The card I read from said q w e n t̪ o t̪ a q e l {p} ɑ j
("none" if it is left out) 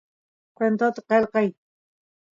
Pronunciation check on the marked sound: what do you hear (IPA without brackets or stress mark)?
q